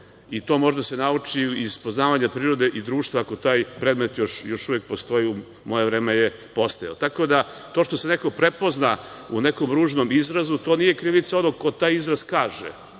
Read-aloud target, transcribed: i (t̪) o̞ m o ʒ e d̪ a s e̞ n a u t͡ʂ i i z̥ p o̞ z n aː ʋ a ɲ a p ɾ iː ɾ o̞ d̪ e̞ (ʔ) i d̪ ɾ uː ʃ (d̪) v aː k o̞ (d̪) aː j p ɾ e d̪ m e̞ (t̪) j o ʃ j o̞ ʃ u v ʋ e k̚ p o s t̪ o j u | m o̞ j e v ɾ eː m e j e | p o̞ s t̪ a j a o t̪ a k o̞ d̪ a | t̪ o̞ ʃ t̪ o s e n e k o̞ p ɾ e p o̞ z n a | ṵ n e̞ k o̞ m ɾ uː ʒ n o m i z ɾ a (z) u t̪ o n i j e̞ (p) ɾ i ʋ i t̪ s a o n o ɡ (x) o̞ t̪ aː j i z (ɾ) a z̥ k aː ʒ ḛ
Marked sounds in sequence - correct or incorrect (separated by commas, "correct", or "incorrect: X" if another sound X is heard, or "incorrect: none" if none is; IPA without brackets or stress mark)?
correct, correct, incorrect: t̪, incorrect: t̪, correct, correct, incorrect: k, incorrect: k, correct